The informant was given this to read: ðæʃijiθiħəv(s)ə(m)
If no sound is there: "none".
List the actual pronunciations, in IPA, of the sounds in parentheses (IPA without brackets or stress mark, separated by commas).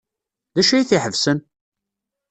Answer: s, n